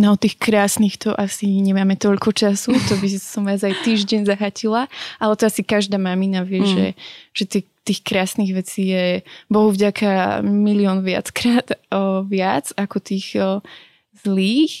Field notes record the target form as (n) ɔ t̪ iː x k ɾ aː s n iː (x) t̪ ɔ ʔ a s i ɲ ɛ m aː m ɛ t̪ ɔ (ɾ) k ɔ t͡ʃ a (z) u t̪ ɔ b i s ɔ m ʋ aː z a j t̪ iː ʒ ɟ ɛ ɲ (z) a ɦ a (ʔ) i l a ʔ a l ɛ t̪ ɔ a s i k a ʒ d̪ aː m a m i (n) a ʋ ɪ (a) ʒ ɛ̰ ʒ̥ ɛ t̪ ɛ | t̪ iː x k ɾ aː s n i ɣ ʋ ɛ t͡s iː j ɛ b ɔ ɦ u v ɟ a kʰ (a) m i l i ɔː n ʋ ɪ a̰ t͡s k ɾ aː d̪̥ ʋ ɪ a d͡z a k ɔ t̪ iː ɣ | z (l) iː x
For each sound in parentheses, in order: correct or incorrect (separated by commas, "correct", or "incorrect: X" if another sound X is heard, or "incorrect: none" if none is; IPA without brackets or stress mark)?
correct, correct, incorrect: ʎ, incorrect: s, correct, incorrect: c, correct, incorrect: ɛ, correct, correct